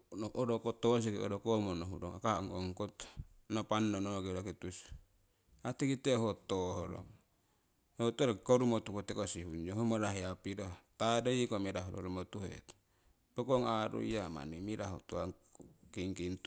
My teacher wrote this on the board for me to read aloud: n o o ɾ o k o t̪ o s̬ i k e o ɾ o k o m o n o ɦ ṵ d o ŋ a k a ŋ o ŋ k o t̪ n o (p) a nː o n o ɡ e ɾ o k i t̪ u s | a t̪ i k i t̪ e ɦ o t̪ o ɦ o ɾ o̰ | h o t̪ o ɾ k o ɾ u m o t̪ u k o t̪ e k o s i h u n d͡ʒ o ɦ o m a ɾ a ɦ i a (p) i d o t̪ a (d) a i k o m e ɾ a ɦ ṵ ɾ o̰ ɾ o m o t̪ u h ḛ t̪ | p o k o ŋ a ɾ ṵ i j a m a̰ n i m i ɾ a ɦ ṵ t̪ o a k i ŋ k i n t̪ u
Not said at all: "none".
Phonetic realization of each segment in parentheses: p, p, d

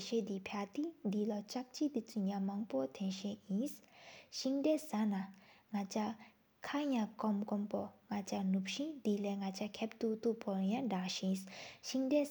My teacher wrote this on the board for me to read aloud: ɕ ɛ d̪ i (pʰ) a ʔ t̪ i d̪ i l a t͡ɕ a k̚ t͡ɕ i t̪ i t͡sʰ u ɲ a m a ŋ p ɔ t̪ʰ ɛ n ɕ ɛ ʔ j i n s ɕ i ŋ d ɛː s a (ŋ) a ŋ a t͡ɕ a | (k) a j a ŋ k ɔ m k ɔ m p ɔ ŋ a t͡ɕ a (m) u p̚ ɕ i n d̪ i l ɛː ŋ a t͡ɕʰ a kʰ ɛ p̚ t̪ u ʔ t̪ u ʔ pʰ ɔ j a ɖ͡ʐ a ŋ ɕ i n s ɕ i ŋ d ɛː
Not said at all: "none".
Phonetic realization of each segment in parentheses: pʰ, n, kʰ, n

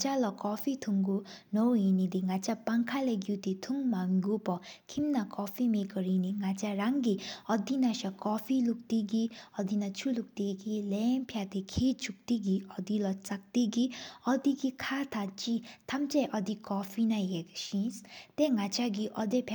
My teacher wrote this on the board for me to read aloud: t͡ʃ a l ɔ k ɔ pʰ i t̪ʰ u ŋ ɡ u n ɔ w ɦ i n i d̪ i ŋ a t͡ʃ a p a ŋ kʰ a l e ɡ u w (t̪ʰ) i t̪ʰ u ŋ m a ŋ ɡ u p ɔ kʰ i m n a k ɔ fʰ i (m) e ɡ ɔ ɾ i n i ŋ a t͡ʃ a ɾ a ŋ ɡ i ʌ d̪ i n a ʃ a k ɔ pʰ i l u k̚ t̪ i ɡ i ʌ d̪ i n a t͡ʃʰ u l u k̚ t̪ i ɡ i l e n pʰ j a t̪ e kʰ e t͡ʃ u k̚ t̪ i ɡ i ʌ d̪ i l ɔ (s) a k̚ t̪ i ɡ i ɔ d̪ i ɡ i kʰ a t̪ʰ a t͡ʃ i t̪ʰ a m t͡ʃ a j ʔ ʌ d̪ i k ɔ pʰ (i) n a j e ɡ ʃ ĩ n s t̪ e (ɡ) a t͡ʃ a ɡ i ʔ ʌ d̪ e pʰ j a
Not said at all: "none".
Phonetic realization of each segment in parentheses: t̪, m, t͡s, i, ŋ

